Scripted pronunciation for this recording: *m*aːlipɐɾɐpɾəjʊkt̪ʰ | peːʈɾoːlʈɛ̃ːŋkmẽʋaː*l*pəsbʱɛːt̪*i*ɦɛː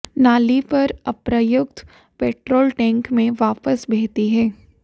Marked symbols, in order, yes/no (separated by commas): no, no, yes